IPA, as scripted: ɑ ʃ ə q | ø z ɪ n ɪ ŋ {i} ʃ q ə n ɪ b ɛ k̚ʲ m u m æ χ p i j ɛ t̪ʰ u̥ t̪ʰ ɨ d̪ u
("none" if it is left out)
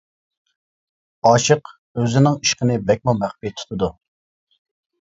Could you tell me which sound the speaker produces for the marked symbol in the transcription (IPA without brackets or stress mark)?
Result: i